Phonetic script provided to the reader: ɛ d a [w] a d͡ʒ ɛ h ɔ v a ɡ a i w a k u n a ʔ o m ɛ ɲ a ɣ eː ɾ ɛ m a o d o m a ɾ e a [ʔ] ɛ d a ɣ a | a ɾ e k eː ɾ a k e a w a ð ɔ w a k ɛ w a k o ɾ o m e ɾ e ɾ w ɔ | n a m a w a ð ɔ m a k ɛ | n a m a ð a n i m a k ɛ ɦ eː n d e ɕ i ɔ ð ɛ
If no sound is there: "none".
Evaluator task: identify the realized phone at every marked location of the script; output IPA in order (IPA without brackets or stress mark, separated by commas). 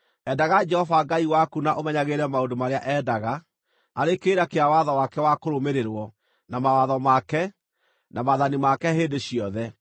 ɣ, ʔ